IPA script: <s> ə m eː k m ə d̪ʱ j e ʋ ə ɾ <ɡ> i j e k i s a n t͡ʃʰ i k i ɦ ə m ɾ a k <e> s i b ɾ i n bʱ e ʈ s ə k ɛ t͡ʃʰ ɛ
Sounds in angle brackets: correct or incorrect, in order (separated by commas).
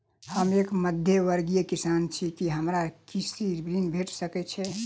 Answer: incorrect, correct, incorrect